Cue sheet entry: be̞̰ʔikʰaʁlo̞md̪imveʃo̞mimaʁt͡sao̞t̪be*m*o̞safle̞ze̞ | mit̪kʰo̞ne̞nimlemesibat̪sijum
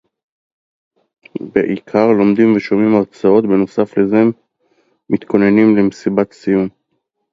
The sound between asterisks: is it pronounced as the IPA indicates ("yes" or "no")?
no